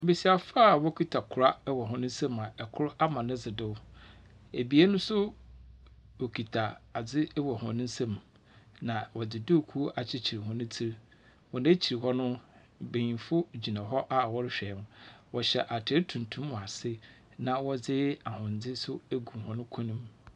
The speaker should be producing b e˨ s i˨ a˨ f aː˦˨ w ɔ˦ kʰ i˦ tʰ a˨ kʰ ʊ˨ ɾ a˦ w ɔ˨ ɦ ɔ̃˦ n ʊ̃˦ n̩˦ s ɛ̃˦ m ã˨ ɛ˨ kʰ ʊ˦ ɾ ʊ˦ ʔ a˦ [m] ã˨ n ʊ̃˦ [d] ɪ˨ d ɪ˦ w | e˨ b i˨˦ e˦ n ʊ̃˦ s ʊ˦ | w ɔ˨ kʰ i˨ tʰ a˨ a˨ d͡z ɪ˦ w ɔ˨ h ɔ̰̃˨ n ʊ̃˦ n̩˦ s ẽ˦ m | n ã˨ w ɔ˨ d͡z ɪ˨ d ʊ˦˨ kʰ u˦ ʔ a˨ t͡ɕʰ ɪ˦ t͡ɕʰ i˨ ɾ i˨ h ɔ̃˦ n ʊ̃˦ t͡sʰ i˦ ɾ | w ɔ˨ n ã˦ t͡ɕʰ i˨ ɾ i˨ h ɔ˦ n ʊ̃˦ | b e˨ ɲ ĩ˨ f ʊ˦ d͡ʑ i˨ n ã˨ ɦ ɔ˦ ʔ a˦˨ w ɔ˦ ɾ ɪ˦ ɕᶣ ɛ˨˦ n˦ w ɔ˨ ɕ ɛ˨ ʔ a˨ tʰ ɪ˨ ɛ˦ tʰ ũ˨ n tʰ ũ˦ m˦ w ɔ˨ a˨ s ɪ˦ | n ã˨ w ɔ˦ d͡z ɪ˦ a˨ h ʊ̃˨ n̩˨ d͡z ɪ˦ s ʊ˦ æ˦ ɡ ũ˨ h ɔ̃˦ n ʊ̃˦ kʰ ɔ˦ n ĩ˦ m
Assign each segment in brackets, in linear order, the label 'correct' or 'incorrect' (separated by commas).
correct, incorrect